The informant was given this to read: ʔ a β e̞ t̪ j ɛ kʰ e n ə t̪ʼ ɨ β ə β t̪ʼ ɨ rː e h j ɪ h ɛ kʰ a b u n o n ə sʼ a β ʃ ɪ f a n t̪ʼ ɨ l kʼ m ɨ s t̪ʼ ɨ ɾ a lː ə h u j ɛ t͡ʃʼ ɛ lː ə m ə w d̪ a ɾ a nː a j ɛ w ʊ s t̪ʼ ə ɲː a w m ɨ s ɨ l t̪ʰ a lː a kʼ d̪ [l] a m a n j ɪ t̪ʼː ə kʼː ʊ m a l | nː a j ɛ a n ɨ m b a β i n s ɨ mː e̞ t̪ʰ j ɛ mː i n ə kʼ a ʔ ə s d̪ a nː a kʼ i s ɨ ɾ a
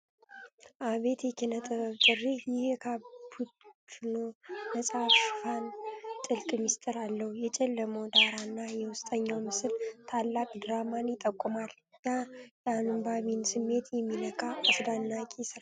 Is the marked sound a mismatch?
yes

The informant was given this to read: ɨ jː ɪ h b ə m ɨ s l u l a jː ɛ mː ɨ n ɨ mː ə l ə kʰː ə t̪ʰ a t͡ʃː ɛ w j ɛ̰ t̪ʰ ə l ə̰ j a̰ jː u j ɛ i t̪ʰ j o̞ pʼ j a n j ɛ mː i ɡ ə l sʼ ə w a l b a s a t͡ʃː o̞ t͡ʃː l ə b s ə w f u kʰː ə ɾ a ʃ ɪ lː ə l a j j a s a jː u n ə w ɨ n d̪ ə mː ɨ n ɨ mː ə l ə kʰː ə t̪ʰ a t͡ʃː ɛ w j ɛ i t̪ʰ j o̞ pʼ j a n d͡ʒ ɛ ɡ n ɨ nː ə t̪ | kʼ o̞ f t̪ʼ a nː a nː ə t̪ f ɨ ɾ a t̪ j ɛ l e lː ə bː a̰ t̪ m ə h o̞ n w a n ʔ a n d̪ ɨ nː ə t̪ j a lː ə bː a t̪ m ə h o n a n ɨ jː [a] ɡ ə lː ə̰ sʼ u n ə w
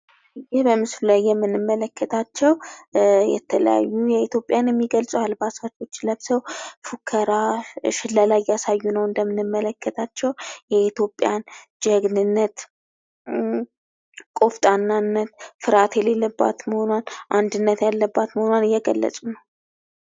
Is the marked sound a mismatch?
yes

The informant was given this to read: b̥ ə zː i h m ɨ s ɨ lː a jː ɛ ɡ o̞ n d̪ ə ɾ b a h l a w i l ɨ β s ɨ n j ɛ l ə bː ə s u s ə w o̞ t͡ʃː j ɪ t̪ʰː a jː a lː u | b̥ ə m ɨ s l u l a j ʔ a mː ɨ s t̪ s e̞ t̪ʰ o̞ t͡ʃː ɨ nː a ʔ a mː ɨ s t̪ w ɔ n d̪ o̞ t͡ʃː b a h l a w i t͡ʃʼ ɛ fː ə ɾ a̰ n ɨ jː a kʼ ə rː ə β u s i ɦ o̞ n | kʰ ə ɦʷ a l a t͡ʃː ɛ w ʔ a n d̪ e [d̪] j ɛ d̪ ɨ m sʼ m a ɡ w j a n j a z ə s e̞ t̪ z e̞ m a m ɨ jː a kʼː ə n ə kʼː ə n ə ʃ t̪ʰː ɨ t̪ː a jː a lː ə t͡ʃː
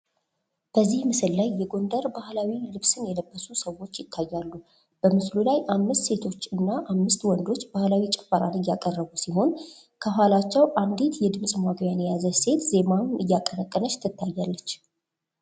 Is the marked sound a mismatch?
yes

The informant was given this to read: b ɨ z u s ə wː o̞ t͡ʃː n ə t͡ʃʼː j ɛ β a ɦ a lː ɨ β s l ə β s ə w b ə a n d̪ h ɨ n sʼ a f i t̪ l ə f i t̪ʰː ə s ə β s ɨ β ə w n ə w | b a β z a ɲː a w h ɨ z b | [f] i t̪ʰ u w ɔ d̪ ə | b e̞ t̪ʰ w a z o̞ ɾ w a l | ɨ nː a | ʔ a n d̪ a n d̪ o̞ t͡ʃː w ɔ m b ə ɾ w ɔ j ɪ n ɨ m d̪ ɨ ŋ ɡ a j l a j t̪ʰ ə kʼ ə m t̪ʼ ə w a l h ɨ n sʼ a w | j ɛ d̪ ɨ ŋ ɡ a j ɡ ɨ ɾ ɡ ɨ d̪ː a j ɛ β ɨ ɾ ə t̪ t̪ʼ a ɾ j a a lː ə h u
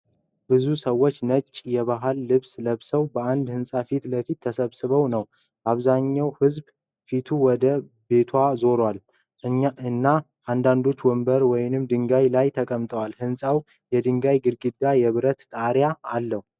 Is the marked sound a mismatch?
no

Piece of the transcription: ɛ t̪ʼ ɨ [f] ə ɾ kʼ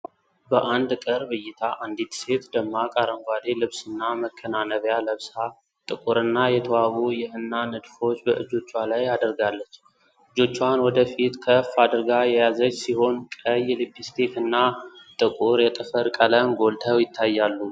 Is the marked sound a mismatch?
no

